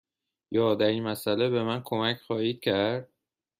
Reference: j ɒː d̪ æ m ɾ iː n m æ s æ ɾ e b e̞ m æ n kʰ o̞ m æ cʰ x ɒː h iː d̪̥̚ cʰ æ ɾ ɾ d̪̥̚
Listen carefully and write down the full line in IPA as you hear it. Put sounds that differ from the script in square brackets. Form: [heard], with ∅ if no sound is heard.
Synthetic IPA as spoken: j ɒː d̪ æ [∅] ɾ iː n m æ s æ [l] e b e̞ m æ n kʰ o̞ m æ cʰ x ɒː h iː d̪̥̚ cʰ æ ɾ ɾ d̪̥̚